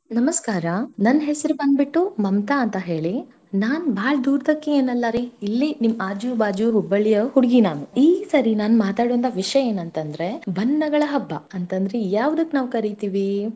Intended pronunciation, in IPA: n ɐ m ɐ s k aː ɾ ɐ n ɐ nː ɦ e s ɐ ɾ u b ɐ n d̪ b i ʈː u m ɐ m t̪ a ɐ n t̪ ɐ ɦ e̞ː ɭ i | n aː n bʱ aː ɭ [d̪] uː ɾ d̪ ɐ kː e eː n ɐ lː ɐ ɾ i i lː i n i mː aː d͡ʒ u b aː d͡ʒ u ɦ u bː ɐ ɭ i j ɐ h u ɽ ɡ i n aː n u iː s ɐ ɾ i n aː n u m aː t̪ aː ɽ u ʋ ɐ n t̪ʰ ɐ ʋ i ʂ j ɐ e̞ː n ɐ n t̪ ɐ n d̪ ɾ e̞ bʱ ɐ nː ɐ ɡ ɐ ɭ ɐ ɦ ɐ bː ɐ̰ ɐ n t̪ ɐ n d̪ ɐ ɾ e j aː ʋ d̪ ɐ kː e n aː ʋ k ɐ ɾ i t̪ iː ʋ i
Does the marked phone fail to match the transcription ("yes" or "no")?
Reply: no